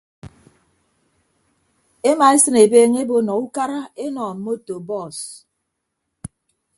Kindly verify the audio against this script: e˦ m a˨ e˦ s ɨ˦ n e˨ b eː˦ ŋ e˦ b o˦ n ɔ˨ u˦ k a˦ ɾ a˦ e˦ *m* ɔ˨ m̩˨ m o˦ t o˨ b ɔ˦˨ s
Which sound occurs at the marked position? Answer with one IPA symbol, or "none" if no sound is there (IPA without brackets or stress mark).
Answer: n